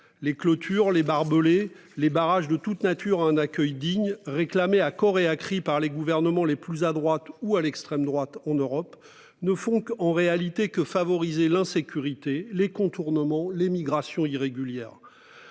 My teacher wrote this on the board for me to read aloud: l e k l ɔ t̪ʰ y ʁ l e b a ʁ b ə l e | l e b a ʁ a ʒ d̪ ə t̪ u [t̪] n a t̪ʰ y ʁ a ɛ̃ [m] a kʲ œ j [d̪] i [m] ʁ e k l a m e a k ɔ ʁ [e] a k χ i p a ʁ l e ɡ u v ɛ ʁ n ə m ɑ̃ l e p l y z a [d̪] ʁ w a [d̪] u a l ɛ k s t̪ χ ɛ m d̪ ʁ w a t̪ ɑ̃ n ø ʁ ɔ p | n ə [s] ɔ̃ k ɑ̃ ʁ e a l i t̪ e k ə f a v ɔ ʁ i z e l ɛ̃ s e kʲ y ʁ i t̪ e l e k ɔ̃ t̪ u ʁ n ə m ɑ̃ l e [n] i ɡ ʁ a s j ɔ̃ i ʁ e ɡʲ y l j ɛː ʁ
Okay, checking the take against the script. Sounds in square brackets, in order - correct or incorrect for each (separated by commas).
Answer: correct, incorrect, correct, incorrect, correct, correct, incorrect, incorrect, incorrect